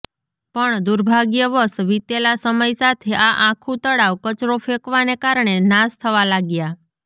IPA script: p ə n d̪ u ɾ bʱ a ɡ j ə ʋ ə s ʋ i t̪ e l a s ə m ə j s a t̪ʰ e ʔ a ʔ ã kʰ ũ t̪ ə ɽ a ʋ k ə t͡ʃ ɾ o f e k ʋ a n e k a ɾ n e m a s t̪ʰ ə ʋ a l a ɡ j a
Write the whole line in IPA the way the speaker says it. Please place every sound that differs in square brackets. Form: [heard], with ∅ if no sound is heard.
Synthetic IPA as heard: p ə [ɳ] d̪ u ɾ bʱ a ɡ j ə ʋ ə s ʋ i t̪ e l a s ə m ə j s a t̪ʰ e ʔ a ʔ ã kʰ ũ t̪ ə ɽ a ʋ k ə t͡ʃ ɾ o f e k ʋ a n e k a ɾ [ɳ] e [n] a s t̪ʰ ə ʋ a l a ɡ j a